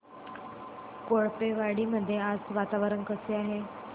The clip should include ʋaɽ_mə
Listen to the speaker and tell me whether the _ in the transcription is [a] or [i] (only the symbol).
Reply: i